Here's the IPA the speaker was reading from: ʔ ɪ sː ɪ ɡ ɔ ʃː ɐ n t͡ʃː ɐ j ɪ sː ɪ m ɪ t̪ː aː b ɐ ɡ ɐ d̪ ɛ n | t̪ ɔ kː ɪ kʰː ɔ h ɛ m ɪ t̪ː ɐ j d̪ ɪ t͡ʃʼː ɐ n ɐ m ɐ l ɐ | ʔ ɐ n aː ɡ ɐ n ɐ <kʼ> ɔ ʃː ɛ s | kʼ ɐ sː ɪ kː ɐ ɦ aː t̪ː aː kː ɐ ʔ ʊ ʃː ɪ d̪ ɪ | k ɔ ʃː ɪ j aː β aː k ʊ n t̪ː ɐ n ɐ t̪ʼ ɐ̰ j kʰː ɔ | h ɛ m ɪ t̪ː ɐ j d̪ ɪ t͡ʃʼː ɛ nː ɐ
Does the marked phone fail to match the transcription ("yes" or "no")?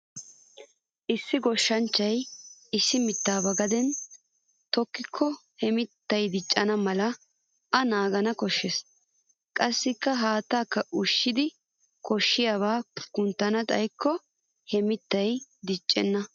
yes